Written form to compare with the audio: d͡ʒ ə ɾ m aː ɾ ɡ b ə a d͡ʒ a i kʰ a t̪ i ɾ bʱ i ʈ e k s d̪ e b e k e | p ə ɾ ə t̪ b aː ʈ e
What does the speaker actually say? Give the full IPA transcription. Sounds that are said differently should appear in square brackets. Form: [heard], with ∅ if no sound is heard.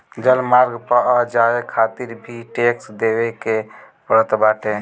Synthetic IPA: d͡ʒ ə [l] m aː ɾ ɡ [p] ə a d͡ʒ a [e] kʰ a t̪ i ɾ bʱ i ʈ e k s d̪ e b e k e | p ə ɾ ə t̪ b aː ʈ e

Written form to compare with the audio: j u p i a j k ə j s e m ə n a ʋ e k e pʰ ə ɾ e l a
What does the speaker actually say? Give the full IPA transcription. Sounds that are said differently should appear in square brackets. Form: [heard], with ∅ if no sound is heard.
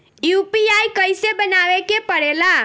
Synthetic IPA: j u p i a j k ə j s e [b] ə n a ʋ e k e [p] ə [ɽ] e l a

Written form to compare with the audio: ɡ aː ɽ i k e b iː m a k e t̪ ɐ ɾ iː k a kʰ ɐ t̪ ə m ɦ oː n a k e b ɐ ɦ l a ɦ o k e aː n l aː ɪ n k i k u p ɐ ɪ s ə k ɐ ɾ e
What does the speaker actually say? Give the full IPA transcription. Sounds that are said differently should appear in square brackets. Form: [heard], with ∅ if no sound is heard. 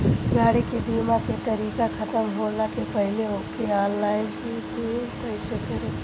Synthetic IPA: ɡ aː ɽ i k e b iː m a k e t̪ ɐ ɾ iː k a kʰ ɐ t̪ ə m ɦ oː n a k e [p] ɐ ɦ l [e] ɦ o k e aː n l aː ɪ n k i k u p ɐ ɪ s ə k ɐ ɾ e

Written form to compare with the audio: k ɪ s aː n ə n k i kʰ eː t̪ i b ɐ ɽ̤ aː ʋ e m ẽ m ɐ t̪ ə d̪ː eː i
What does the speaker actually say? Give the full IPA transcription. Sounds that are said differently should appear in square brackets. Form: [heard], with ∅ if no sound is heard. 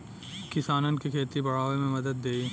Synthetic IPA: k ɪ s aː n ə n k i kʰ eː t̪ i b ɐ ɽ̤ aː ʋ e m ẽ m ɐ [d̪] ə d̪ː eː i

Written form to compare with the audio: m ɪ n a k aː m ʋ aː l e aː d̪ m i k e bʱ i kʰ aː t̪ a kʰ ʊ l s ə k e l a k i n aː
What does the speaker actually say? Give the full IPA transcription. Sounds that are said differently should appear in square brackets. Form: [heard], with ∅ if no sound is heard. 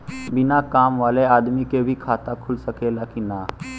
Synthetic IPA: [b] ɪ n a k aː m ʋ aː l e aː d̪ m i k e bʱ i kʰ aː t̪ a kʰ ʊ l s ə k e l a k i n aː

